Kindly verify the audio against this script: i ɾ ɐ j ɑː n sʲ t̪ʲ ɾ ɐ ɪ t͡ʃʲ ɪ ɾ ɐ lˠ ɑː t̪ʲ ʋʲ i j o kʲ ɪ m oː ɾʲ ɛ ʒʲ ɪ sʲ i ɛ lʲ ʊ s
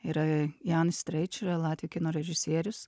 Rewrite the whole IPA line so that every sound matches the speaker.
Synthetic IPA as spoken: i ɾ ɐ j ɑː n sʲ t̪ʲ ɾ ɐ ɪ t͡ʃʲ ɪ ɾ ɐ lˠ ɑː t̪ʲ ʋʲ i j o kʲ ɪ n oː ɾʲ ɛ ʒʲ ɪ sʲ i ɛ ɾʲ ʊ s

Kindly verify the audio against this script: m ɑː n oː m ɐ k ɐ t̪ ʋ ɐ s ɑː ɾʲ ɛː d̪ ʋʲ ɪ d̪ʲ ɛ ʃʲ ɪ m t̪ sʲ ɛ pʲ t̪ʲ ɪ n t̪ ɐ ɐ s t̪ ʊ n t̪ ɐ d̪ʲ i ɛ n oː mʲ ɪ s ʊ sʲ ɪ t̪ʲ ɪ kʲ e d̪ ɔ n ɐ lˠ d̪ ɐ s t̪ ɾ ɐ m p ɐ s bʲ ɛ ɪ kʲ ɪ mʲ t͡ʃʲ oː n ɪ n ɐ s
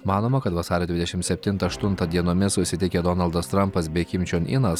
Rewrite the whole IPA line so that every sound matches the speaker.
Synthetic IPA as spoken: m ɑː n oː m ɐ k ɐ t̪ ʋ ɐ s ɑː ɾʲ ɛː d̪ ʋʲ ɪ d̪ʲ ɛ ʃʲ ɪ m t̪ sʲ ɛ pʲ t̪ʲ ɪ n t̪ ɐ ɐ ʃ t̪ ʊ n t̪ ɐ d̪ʲ i ɛ n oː mʲ ɪ s ʊ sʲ ɪ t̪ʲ ɪ kʲ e d̪ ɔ n ɐ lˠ d̪ ɐ s t̪ ɾ ɐ m p ɐ s bʲ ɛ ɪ kʲ ɪ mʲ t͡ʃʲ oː n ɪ n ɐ s

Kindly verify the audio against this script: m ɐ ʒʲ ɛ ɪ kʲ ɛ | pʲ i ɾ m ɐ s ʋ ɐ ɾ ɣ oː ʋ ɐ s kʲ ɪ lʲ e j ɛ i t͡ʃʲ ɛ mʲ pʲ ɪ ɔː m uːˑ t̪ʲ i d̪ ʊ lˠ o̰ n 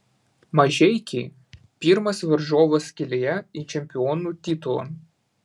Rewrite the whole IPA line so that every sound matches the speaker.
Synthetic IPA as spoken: m ɐ ʒʲ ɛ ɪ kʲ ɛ | pʲ i ɾ m ɐ s ʋ ɐ ɾ ʒ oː ʋ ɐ s kʲ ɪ lʲ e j ɛ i t͡ʃʲ ɛ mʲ pʲ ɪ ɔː n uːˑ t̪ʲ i t̪ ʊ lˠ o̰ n

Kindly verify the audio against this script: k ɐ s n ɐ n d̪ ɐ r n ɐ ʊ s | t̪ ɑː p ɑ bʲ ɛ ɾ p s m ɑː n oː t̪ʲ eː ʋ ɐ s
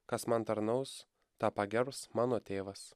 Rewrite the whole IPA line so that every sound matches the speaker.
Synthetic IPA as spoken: k ɐ s m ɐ n t̪ ɐ ɾ n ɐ ʊ s | t̪ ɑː p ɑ ɡʲ ɛ ɾ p s m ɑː n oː t̪ʲ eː ʋ ɐ s

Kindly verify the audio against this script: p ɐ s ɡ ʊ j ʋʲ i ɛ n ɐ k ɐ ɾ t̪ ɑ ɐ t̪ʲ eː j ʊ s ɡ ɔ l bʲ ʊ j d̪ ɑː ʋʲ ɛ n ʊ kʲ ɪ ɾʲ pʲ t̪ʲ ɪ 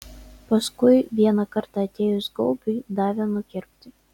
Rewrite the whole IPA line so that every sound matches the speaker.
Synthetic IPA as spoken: p ɐ s k ʊ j ʋʲ i ɛ n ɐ k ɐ ɾ t̪ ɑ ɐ t̪ʲ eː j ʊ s ɡ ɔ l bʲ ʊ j d̪ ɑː ʋʲ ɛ n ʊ kʲ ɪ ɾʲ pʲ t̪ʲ ɪ

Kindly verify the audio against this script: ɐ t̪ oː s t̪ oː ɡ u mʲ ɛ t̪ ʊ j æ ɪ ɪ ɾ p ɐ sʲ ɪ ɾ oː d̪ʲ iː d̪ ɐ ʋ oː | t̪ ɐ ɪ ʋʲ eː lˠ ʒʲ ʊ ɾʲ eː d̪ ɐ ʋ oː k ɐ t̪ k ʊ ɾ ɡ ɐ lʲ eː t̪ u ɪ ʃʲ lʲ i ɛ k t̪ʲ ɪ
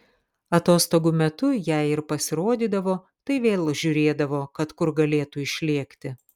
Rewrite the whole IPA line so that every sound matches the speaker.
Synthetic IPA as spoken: ɐ t̪ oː s t̪ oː ɡ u mʲ ɛ t̪ ʊ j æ ɪ ɪ ɾ p ɐ sʲ ɪ ɾ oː d̪ʲ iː d̪ ɐ ʋ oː | t̪ ɐ ɪ ʋʲ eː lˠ ʒʲ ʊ ɾʲ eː d̪ ɐ ʋ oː k ɐ t̪ k ʊ ɾ ɡ ɐ lʲ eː t̪ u ɪ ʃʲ lʲ i ɛ k t̪ʲ ɪ

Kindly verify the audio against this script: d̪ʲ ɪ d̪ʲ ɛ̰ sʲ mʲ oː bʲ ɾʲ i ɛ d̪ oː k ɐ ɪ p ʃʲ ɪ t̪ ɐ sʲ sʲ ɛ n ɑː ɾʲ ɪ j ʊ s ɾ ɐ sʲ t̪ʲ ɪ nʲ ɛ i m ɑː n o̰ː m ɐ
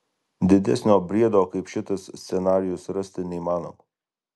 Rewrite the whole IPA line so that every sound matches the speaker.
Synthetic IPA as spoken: d̪ʲ ɪ d̪ʲ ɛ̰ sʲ nʲ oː bʲ ɾʲ i ɛ d̪ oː k ɐ ɪ p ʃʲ ɪ t̪ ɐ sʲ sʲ ɛ n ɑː ɾʲ ɪ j ʊ s ɾ ɐ sʲ t̪ʲ ɪ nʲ ɛ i m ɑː n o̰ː m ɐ

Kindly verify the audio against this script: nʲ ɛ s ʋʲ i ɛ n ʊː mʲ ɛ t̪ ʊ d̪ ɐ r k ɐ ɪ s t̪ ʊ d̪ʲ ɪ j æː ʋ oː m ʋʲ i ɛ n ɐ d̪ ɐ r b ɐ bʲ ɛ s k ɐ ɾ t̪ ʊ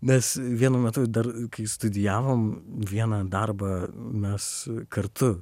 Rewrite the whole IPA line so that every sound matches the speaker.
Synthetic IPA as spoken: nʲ ɛ s ʋʲ i ɛ n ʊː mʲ ɛ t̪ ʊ d̪ ɐ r k ɐ ɪ s t̪ ʊ d̪ʲ ɪ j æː ʋ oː m ʋʲ i ɛ n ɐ d̪ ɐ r b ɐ mʲ ɛ s k ɐ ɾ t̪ ʊ

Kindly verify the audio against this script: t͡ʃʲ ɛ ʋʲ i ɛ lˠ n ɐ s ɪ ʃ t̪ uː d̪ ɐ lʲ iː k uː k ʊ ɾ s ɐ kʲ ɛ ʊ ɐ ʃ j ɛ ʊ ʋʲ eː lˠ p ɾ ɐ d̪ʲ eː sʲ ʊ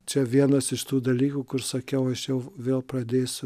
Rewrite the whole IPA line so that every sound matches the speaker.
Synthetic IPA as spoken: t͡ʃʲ ɛ ʋʲ i ɛ n ɐ s ɪ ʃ t̪ uː d̪ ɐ lʲ iː k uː k ʊ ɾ s ɐ kʲ ɛ ʊ ɐ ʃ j ɛ ʊ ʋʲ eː lˠ p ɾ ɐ d̪ʲ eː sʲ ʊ

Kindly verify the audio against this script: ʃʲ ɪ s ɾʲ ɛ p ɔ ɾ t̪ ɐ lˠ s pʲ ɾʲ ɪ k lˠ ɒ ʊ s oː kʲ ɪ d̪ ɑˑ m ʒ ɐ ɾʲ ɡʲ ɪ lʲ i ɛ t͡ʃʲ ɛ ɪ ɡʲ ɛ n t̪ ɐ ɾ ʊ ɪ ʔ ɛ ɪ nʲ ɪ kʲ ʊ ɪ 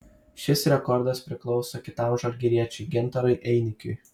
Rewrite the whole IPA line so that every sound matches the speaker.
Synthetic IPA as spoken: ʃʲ ɪ s ɾʲ ɛ k ɔ ɾ d̪ ɐ s pʲ ɾʲ ɪ k lˠ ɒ ʊ s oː kʲ ɪ t̪ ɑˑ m ʒ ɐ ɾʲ ɡʲ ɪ ɾʲ i ɛ t͡ʃʲ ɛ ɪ ɡʲ ɛ n t̪ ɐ ɾ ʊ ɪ ʔ ɛ ɪ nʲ ɪ kʲ ʊ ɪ

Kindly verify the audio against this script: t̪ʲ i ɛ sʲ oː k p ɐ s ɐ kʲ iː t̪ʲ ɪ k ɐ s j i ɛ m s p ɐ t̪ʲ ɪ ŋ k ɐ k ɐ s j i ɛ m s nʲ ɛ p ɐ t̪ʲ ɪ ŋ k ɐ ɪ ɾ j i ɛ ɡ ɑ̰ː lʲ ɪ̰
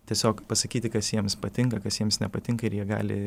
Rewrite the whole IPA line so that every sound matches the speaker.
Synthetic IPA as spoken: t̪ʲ i ɛ sʲ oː k p ɐ s ɐ kʲ iː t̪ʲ ɪ k ɐ s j i ɛ m s p ɐ t̪ʲ ɪ ŋ k ɐ k ɐ s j i ɛ m s nʲ ɛ p ɐ t̪ʲ ɪ ŋ k ɐ ɪ ɾ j i ɛ ɡ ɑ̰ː lʲ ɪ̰

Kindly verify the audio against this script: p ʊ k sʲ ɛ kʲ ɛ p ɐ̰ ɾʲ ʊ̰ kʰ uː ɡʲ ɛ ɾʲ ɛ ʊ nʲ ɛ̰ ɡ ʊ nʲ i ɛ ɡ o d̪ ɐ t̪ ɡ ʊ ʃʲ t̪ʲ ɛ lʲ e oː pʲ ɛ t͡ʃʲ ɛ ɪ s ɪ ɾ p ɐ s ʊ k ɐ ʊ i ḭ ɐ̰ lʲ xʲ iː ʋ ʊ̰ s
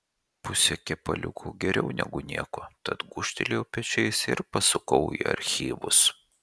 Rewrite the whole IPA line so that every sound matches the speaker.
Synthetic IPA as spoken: p ʊ sʲ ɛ kʲ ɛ p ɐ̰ lʲ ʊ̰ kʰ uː ɡʲ ɛ ɾʲ ɛ ʊ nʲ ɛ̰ ɡ ʊ nʲ i ɛ k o t̪ ɐ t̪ ɡ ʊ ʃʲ t̪ʲ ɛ lʲ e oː pʲ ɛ t͡ʃʲ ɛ ɪ s ɪ ɾ p ɐ s ʊ k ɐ ʊ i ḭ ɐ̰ ɾʲ xʲ iː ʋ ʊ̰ s

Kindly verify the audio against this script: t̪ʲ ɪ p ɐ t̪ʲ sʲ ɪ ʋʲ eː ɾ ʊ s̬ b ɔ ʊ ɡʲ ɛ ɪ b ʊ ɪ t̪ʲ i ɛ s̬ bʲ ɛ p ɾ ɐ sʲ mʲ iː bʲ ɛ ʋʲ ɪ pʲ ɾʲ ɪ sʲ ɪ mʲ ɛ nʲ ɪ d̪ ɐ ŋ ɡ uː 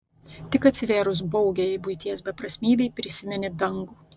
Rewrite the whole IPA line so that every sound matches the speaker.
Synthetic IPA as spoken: t̪ʲ ɪ k ɐ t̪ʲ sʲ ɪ ʋʲ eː ɾ ʊ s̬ b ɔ ʊ ɡʲ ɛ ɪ b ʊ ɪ t̪ʲ i ɛ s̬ bʲ ɛ p ɾ ɐ sʲ mʲ iː bʲ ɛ ɪ pʲ ɾʲ ɪ sʲ ɪ mʲ ɛ nʲ ɪ d̪ ɐ ŋ ɡ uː

